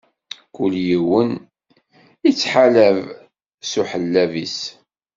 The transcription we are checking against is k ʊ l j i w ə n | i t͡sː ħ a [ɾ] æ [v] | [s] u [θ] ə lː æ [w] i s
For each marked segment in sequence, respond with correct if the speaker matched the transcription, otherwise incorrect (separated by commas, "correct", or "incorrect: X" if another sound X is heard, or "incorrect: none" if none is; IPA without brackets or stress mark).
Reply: incorrect: l, correct, correct, incorrect: ħ, incorrect: v